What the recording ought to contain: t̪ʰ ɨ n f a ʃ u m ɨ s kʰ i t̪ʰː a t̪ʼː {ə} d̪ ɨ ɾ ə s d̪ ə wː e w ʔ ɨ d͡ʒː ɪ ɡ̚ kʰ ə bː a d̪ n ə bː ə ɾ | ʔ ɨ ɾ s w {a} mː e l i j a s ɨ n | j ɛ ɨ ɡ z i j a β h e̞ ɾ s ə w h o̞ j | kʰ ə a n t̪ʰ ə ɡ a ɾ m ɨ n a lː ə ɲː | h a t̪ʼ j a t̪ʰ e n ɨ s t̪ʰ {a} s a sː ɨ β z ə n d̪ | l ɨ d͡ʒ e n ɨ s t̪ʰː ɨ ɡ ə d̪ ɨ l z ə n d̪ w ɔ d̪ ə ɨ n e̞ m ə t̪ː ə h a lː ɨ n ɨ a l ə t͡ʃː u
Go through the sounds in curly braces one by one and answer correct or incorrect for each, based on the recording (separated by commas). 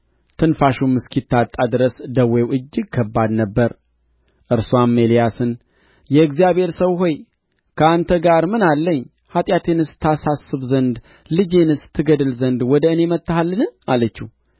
incorrect, correct, correct